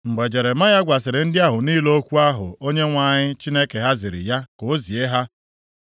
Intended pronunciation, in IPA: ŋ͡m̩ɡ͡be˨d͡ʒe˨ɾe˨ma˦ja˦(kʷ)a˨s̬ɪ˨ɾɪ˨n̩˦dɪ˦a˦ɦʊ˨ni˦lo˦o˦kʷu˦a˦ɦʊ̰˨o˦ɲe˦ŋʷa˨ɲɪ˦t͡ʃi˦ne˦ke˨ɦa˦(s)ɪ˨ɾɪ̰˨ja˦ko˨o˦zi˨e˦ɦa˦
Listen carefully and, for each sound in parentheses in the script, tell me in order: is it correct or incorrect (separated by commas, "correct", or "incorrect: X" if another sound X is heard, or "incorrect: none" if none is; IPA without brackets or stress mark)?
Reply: incorrect: ɡʷ, incorrect: z